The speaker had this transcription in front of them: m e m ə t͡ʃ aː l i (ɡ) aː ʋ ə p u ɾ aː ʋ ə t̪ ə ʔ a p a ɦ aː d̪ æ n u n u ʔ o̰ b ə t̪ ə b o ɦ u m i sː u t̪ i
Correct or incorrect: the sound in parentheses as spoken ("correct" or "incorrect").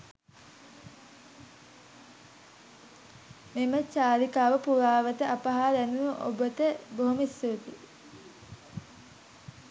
incorrect